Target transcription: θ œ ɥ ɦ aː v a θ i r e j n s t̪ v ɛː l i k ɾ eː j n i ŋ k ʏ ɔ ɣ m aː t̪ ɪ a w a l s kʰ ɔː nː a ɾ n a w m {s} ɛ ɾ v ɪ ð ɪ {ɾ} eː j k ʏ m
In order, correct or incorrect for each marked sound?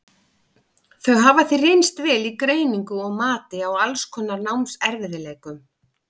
correct, incorrect: l

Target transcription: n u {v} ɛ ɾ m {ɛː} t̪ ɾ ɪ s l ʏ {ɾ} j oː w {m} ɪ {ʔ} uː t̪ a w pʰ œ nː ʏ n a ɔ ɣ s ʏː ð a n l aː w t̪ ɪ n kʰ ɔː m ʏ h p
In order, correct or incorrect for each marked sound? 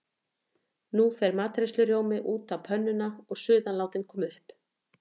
incorrect: f, incorrect: aː, correct, correct, correct

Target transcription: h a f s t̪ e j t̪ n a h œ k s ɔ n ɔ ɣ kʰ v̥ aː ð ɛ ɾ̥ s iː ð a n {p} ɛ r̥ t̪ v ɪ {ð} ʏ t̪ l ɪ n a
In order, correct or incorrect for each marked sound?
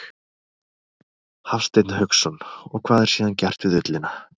incorrect: c, correct

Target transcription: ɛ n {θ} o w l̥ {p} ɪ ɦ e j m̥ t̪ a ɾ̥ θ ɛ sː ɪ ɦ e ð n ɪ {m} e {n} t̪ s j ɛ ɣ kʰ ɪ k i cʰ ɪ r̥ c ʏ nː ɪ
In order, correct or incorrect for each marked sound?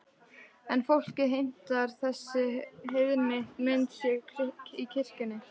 incorrect: f, incorrect: c, correct, correct

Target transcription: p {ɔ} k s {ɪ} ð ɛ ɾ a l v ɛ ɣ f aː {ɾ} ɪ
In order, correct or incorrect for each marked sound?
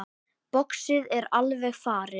correct, correct, correct

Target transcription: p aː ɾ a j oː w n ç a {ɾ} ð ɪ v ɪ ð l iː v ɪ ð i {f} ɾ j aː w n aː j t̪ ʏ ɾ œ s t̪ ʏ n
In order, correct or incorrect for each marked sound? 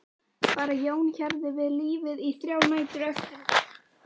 correct, incorrect: θ

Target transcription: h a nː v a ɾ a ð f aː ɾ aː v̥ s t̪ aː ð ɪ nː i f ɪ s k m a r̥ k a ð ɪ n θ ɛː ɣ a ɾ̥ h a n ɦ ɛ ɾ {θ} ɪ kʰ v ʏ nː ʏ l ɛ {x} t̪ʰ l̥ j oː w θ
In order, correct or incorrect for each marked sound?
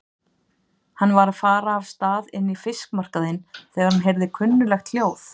incorrect: ð, correct

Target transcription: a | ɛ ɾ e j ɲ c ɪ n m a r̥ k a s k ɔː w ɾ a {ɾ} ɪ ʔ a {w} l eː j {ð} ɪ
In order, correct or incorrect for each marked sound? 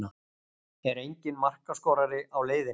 correct, correct, correct

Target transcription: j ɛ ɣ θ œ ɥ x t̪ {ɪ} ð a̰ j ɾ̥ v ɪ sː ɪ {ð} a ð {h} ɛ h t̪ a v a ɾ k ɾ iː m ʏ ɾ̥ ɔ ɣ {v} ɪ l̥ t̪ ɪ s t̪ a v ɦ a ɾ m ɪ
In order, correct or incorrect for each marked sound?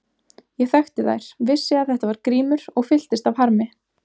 correct, incorrect: none, incorrect: θ, incorrect: f

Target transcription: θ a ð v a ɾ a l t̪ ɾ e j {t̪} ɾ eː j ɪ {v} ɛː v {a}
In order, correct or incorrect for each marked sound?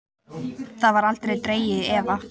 correct, incorrect: ð, correct

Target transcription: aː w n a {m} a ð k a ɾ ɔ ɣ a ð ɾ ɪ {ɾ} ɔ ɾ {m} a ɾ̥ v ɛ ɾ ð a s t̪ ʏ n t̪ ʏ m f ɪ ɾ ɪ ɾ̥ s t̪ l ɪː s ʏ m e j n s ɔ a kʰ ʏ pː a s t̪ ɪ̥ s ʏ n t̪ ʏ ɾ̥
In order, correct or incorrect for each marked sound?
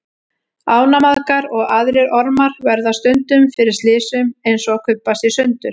correct, correct, correct

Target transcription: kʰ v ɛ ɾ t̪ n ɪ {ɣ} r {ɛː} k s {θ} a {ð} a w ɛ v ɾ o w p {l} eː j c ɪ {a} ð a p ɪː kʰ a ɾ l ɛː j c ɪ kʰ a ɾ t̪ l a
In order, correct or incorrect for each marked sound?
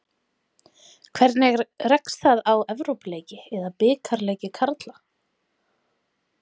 correct, incorrect: ɛ, correct, correct, correct, incorrect: ɛ

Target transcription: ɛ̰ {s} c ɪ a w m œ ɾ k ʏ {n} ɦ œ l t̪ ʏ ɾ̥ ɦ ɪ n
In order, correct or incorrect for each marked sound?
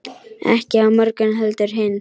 incorrect: h, correct

